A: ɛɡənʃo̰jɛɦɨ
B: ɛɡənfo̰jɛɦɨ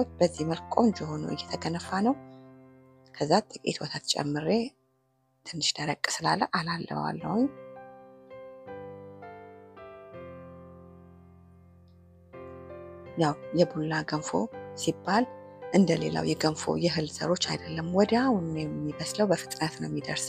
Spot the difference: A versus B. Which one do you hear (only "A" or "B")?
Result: B